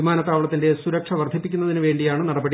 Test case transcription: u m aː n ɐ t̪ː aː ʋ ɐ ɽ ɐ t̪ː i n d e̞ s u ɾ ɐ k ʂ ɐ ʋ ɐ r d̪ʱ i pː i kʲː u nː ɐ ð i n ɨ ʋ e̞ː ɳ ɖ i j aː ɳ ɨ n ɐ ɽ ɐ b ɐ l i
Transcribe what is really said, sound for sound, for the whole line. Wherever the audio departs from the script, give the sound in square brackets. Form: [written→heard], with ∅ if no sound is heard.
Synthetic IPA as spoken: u m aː n ɐ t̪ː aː ʋ ɐ [ɽ→ɭ] ɐ t̪ː i n d e̞ s u ɾ ɐ k ʂ ɐ ʋ ɐ r d̪ʱ i pː i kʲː u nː ɐ ð i n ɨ ʋ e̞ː ɳ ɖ i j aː ɳ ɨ n ɐ ɽ ɐ b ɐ [l→ɽ] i